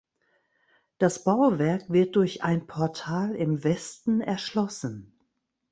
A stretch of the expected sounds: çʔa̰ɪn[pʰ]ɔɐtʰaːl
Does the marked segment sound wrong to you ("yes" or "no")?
no